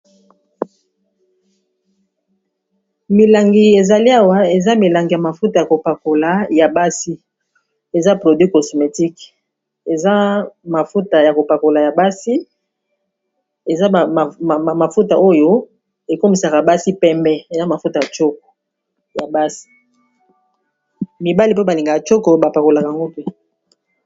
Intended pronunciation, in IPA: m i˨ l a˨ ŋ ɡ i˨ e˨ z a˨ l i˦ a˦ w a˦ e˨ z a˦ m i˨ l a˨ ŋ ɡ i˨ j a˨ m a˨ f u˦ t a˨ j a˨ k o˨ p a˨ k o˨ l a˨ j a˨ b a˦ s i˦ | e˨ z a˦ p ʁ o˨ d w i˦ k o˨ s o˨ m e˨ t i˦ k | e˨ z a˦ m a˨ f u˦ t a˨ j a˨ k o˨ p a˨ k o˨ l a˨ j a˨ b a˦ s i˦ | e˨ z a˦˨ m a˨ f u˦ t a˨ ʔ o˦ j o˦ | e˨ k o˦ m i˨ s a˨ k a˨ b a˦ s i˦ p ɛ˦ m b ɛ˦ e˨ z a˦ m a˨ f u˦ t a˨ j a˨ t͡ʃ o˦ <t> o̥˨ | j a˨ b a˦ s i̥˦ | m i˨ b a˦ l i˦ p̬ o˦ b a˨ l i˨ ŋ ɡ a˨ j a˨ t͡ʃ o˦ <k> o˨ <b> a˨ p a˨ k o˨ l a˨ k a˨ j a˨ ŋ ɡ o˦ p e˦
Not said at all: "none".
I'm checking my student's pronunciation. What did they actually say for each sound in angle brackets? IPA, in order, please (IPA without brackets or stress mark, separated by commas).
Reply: k, k, b